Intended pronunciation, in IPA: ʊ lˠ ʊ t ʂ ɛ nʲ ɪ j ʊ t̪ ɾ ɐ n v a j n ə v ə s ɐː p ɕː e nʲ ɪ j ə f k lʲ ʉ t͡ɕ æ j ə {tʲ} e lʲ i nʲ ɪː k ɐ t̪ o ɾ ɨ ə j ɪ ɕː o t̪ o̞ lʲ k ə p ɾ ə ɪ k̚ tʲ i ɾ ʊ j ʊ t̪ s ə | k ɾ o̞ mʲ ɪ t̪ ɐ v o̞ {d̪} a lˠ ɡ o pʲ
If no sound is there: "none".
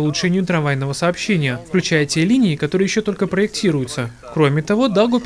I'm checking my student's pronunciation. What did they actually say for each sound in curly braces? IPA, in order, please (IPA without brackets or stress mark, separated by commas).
tʲ, d̪